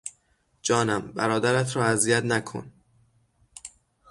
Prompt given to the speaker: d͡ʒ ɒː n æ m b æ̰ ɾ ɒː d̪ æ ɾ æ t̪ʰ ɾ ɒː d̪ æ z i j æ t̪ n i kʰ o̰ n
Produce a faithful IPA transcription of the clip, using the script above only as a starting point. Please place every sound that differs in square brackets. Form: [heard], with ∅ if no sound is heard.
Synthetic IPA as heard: d͡ʒ ɒː n æ m b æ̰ ɾ ɒː d̪ æ ɾ æ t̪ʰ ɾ ɒː [∅] æ z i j æ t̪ n [æ] kʰ o̰ n